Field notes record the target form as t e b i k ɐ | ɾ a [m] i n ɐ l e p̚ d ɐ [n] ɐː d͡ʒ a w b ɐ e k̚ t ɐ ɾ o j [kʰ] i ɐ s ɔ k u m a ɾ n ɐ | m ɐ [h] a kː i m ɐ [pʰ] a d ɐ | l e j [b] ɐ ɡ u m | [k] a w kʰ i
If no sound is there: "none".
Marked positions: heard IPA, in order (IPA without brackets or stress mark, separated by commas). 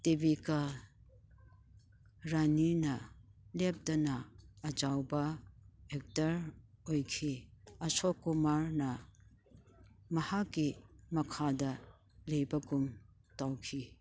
n, n, kʰ, h, kʰ, b, t